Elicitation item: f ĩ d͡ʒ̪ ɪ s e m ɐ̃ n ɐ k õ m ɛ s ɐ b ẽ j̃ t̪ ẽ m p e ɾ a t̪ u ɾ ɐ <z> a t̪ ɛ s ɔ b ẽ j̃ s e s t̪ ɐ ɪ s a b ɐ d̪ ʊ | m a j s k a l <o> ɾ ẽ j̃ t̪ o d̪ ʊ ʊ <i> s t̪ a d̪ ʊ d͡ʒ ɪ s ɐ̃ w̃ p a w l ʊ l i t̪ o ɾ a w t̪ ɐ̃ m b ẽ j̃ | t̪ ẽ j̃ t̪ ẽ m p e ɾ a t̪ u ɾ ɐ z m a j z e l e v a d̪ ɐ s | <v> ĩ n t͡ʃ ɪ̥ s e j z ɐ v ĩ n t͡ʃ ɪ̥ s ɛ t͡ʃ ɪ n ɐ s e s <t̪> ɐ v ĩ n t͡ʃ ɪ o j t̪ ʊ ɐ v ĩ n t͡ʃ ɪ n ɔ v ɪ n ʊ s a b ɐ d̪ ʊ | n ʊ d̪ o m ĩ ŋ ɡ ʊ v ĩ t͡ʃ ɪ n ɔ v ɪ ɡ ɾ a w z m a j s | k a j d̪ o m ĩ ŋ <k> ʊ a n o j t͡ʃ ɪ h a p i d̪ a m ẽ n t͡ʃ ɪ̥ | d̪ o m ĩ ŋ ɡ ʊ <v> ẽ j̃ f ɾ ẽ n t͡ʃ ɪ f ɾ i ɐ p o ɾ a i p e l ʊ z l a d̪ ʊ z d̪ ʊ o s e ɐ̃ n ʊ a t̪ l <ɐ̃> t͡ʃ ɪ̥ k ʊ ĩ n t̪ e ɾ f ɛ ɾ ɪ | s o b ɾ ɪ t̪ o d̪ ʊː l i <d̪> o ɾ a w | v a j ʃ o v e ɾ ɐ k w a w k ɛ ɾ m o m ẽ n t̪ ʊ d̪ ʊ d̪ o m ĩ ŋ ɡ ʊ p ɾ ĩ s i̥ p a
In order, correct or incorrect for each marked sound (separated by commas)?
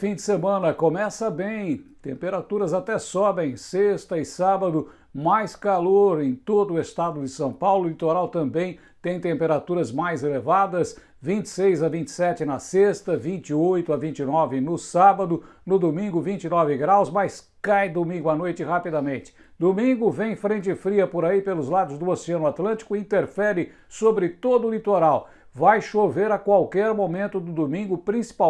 correct, correct, incorrect, correct, correct, incorrect, correct, correct, incorrect